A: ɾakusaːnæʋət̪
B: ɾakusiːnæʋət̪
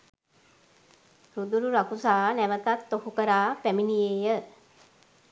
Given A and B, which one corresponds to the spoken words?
A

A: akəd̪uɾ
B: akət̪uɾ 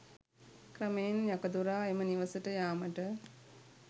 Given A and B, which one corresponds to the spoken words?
A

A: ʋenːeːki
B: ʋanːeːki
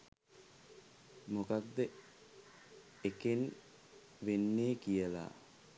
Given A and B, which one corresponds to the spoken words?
A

